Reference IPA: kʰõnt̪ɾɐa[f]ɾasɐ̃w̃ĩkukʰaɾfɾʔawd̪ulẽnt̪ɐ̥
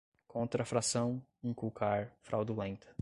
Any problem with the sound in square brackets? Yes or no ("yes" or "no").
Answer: no